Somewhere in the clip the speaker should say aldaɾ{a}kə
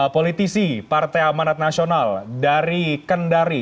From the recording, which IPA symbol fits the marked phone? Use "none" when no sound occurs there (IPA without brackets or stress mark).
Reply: i